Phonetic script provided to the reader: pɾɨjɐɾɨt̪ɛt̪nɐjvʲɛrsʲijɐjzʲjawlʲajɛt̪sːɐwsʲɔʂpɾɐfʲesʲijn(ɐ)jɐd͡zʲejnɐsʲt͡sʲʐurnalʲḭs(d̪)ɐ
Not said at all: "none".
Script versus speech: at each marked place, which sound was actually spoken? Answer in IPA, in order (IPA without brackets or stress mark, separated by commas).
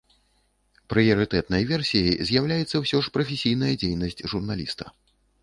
ɐ, t̪